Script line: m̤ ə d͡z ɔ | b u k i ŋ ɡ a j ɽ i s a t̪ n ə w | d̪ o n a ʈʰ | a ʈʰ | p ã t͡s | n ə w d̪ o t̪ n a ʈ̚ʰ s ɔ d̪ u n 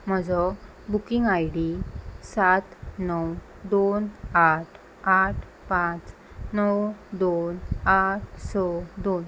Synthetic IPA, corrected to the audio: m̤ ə d͡z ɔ | b u k i ŋ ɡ a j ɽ i s a t̪ n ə w | d̪ o n a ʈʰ | a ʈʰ | p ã t͡s | n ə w d̪ o n a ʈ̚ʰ s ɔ d̪ o n